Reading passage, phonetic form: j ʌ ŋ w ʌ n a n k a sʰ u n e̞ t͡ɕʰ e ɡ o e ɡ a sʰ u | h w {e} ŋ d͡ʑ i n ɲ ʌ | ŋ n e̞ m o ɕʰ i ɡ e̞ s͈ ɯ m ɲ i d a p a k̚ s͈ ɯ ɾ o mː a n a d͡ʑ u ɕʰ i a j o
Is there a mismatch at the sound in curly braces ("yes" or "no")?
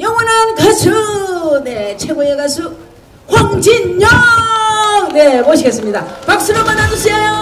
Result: yes